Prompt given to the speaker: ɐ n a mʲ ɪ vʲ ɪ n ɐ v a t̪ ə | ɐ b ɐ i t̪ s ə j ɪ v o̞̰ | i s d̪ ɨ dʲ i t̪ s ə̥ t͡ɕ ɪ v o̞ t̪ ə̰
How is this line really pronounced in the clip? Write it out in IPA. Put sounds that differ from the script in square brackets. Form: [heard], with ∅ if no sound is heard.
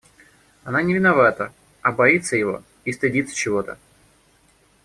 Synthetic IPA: ɐ n a [nʲ] ɪ vʲ ɪ n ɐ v a t̪ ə | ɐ b ɐ i t̪ s ə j ɪ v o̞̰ | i s [t̪] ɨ dʲ i t̪ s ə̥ t͡ɕ ɪ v o̞ t̪ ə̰